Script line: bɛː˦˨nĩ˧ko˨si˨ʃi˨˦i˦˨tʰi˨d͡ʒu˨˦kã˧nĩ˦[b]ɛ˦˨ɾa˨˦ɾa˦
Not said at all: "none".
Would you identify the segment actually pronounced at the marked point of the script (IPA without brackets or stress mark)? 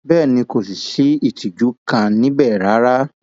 b